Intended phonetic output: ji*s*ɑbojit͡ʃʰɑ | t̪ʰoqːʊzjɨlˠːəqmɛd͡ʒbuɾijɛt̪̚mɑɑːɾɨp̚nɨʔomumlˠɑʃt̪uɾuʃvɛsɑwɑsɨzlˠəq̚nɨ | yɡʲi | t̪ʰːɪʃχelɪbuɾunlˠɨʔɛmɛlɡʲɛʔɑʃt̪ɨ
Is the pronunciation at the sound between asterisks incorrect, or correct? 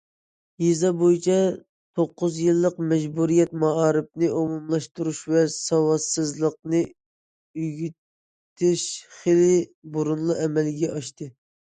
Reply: incorrect: z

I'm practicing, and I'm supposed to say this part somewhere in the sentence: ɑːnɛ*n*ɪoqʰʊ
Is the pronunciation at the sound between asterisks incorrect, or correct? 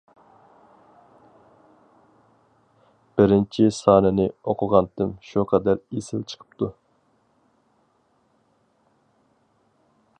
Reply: correct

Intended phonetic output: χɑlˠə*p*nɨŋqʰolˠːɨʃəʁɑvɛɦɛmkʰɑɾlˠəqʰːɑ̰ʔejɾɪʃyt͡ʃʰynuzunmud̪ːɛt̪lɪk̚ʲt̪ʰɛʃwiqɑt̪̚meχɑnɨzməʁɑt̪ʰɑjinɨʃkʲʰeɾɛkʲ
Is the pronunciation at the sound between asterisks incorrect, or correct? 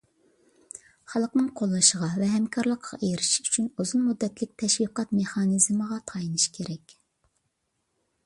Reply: incorrect: q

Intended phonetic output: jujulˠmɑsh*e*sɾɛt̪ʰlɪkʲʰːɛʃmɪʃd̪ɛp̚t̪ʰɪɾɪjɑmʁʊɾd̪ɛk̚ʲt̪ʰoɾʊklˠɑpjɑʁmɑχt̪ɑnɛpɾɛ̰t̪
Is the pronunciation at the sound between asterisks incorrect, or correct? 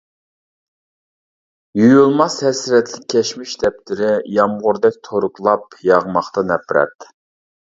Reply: incorrect: ɛ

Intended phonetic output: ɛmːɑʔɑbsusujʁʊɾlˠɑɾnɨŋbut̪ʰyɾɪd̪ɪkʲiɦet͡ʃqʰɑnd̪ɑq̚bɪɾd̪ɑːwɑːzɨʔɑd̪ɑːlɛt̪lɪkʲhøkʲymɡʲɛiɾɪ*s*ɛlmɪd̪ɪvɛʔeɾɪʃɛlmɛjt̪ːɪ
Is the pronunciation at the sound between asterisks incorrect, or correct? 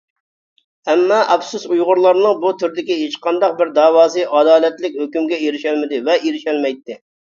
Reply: incorrect: ʃ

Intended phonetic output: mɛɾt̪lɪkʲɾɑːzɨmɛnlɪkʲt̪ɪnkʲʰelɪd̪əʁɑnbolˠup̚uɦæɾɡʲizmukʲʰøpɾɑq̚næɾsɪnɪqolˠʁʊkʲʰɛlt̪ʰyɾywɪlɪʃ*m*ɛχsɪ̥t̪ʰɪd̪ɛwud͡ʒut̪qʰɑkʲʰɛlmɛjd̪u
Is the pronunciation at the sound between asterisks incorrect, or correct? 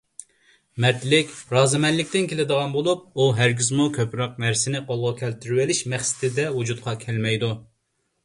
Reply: correct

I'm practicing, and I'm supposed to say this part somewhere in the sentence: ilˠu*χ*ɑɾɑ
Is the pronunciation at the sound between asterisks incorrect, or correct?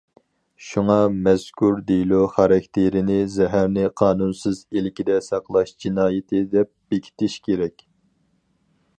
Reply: correct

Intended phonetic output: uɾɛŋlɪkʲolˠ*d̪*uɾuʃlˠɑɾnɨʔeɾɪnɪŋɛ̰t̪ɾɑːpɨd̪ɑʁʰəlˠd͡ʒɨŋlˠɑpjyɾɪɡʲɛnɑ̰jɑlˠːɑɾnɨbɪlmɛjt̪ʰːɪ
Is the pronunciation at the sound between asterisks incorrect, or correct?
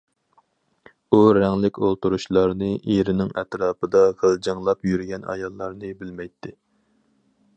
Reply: incorrect: t̪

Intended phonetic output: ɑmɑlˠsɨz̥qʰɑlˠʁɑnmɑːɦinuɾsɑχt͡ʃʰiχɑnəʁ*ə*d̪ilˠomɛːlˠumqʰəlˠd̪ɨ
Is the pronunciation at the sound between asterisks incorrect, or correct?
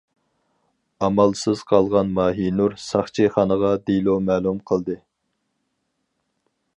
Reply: incorrect: ɑ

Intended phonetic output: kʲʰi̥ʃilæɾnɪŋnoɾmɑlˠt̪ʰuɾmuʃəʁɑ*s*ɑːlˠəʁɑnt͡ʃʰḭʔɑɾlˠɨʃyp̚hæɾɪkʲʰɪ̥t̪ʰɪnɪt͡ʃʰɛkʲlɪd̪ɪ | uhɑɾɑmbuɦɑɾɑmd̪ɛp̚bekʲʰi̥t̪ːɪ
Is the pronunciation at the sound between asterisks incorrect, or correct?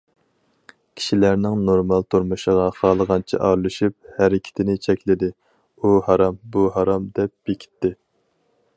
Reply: incorrect: χ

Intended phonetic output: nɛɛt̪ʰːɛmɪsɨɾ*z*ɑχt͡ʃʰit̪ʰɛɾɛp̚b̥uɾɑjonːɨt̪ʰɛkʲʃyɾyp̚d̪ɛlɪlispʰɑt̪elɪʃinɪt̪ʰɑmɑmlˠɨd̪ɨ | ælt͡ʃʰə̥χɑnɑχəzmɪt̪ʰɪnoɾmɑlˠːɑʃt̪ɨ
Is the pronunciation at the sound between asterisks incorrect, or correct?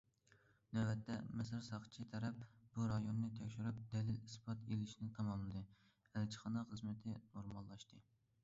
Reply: incorrect: s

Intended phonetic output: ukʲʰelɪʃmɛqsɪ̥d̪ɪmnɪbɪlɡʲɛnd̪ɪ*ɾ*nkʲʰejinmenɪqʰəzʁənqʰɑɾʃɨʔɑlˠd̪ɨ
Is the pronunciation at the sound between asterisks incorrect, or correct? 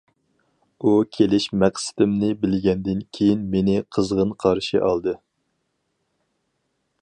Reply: incorrect: none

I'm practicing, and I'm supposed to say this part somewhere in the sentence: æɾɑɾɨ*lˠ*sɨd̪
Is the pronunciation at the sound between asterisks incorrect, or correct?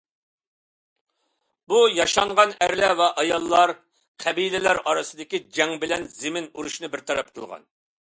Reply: incorrect: none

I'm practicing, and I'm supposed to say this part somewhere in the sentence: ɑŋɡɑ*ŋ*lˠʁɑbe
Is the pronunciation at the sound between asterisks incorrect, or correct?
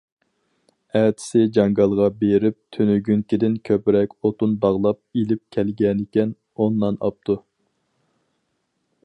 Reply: incorrect: none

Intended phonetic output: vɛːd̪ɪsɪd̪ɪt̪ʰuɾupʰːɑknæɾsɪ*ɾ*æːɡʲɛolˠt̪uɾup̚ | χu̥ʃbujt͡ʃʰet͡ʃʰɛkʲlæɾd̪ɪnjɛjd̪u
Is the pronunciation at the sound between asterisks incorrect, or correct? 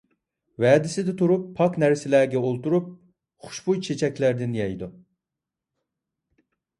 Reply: incorrect: l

